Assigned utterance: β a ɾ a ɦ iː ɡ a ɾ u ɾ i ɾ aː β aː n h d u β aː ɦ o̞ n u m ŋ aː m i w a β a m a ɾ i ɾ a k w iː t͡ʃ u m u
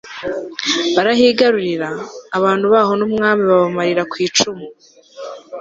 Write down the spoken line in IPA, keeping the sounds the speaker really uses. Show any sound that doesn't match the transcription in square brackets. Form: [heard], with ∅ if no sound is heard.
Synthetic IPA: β a ɾ a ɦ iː ɡ a ɾ u ɾ i ɾ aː β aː n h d u β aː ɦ o̞ n u m ŋ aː m i [β] a β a m a ɾ i ɾ a k w iː t͡ʃ u m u

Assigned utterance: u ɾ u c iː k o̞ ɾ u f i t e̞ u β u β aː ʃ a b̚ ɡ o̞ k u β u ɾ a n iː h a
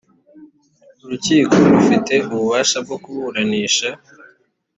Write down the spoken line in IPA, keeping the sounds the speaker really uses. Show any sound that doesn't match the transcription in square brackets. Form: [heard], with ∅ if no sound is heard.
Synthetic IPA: u ɾ u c iː k o̞ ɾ u f i t e̞ u β u β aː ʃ a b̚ ɡ o̞ k u β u ɾ a n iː [ʃ] a

